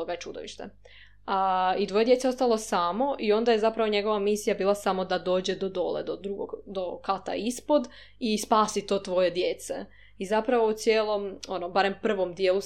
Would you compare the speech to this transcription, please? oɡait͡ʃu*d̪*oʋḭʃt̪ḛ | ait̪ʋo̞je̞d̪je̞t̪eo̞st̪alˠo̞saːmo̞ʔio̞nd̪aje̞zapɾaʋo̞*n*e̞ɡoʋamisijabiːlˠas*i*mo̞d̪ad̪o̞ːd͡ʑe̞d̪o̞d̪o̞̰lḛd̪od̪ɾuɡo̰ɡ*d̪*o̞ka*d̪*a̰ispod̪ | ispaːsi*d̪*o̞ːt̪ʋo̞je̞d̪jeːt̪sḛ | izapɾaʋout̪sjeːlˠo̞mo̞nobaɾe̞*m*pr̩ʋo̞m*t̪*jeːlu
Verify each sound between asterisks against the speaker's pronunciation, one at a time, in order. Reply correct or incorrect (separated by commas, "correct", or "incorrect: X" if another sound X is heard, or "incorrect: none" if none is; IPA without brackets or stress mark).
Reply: correct, incorrect: ɲ, incorrect: a, correct, incorrect: t̪, incorrect: t̪, correct, incorrect: d̪